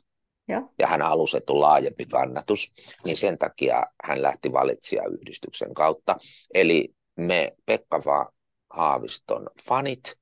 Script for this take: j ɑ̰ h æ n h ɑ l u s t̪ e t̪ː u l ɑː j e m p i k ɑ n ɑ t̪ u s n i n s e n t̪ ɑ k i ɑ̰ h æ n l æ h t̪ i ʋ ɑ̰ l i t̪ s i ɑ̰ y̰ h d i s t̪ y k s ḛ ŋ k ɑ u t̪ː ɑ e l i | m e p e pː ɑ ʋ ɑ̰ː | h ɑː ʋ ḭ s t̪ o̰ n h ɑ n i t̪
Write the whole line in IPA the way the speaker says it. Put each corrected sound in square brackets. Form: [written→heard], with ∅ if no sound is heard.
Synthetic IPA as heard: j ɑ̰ h æ n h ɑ l u s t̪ e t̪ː u l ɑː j e m p i k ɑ [n→nː] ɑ t̪ u s n i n s e n t̪ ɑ k i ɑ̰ h æ n l æ h t̪ i ʋ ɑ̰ l i t̪ s i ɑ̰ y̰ h d i s t̪ y k s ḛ ŋ k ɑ u t̪ː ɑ e l i | m e p e [pː→kː] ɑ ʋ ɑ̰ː | h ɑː ʋ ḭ s t̪ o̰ n [h→f] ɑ n i t̪